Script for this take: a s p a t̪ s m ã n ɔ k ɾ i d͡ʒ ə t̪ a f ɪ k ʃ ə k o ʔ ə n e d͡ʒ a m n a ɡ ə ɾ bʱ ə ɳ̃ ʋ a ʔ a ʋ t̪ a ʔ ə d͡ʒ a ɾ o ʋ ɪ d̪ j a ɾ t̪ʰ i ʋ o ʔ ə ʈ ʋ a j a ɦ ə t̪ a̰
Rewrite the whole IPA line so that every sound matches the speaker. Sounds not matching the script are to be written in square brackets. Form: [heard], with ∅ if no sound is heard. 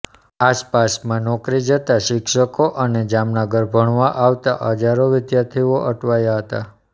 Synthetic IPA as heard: a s p a [∅] s m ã n ɔ k ɾ i d͡ʒ ə t̪ a [ʃ] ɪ k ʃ ə k o ʔ ə n e d͡ʒ a m n a ɡ ə ɾ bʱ ə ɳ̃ ʋ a ʔ a ʋ t̪ a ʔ ə d͡ʒ a ɾ o ʋ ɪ d̪ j a ɾ t̪ʰ i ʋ o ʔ ə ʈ ʋ a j a ɦ ə t̪ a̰